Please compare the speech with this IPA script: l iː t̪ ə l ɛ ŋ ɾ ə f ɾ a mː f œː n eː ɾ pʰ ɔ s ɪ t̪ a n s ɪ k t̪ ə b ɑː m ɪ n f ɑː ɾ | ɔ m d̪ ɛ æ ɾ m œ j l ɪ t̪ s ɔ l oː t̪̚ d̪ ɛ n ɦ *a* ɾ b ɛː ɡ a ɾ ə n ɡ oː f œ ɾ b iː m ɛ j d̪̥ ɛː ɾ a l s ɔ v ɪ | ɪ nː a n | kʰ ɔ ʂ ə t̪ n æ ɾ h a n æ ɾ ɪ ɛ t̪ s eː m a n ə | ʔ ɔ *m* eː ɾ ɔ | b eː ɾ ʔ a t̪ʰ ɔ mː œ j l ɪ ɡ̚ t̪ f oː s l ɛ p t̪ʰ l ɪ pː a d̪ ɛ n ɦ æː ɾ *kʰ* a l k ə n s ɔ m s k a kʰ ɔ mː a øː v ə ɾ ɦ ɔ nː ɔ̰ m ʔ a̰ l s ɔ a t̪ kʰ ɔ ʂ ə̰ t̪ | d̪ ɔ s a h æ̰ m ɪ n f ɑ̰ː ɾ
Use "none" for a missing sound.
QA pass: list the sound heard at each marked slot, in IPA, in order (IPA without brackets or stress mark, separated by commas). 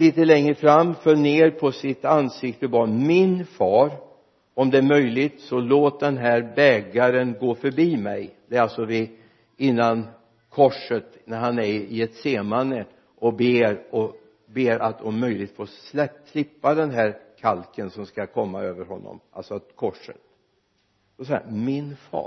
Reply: æ, b, kʰ